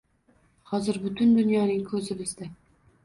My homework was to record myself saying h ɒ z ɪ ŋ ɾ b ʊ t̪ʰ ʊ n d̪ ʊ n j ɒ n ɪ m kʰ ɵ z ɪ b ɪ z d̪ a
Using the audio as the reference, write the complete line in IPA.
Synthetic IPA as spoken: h ɒ z ɪ ɾ b ʊ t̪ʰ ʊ n d̪ ʊ n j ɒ n ɪ ŋ kʰ ɵ z ɪ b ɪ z d̪ a